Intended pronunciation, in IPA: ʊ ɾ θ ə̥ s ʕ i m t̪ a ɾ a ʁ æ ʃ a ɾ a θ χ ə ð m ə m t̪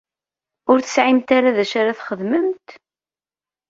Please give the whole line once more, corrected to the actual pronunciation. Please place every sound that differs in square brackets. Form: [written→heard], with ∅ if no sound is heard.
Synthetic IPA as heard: ʊ ɾ θ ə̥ s ʕ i m t̪ a ɾ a [ʁ→ð] æ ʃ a ɾ a θ χ ə ð m ə m t̪